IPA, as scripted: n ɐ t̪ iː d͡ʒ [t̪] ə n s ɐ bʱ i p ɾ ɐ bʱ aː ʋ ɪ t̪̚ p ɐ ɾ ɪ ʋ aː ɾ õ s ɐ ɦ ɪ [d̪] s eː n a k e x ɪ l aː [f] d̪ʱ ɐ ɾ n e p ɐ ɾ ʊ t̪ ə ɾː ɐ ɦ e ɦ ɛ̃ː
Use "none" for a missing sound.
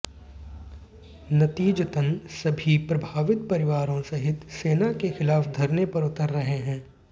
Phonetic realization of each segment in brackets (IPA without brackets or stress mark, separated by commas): t̪, t̪, f